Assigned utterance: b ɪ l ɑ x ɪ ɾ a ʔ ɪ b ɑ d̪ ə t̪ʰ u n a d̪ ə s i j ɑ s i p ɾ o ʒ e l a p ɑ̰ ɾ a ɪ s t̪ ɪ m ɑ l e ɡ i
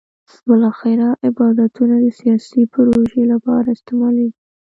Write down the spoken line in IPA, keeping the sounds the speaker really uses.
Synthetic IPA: b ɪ l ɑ x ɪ ɾ a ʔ ɪ b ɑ d̪ a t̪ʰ u n a d̪ ə s i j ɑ s i p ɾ o ʒ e l a p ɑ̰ ɾ a ɪ s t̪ ɪ m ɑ l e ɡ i